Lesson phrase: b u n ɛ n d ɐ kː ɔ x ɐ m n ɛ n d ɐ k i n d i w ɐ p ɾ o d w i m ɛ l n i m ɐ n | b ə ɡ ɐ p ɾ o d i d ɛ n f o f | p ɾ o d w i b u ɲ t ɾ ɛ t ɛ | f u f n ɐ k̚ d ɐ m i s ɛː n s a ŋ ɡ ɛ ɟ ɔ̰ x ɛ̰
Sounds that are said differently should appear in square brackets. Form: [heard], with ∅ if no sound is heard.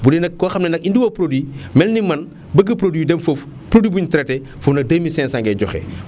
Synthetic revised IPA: b u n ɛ n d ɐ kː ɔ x ɐ m n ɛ n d ɐ k i n d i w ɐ p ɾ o d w i m ɛ l n i m ɐ n | b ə ɡ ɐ p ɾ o d i d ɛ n f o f | p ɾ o d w i b u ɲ t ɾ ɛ t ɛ | f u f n ɐ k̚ d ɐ m i s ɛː n s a ŋ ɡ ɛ ɟ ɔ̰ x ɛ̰